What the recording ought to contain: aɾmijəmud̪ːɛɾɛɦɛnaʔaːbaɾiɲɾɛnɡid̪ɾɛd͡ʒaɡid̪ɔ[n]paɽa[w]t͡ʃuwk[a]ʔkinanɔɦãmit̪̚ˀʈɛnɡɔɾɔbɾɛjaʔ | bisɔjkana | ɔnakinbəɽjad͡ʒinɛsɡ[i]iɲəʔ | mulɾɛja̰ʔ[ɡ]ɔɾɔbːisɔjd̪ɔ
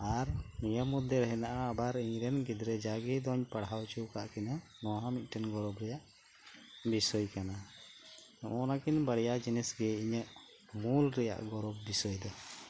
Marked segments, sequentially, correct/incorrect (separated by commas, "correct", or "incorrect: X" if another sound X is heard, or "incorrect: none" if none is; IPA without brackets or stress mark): incorrect: ɲ, correct, correct, incorrect: ɛ, correct